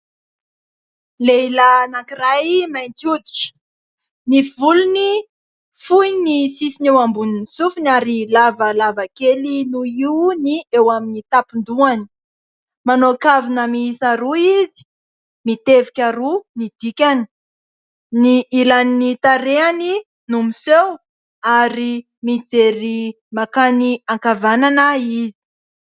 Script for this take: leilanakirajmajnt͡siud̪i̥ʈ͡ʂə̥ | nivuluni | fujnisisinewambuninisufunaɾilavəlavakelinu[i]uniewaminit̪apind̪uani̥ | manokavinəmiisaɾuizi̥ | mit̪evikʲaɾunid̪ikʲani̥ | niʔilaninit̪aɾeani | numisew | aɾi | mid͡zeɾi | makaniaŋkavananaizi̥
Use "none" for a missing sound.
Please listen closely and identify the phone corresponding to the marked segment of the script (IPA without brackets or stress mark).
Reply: i